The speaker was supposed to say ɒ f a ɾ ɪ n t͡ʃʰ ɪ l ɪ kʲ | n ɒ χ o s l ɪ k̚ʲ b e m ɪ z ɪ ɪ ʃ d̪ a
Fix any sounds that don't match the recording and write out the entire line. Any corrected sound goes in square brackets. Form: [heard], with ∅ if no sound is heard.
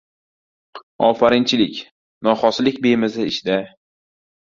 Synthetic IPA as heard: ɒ f a ɾ ɪ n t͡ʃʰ ɪ l ɪ kʲ | n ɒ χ [ɒ] s l ɪ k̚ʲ b e m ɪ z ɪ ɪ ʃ d̪ a